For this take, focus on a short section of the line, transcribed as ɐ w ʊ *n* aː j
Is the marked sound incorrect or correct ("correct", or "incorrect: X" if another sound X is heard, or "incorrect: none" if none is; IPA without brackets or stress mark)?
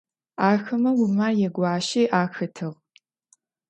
incorrect: m